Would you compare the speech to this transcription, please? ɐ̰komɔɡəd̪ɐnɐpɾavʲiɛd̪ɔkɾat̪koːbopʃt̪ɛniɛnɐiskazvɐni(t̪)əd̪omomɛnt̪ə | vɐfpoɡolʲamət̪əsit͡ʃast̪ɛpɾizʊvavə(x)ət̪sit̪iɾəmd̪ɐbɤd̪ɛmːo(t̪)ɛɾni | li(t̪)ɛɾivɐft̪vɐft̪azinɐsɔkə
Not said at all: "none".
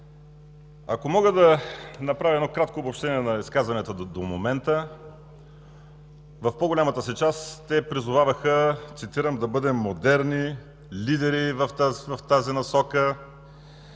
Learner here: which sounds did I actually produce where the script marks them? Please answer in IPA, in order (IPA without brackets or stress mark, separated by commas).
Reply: t̪, x, d̪, d̪